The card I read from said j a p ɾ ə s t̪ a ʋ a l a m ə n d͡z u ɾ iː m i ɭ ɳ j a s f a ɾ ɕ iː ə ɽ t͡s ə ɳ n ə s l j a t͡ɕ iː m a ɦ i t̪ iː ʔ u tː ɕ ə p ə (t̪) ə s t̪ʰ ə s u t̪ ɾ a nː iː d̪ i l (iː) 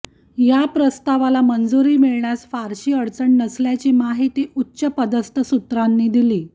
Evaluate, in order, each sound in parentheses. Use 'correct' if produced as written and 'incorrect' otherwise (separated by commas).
incorrect, correct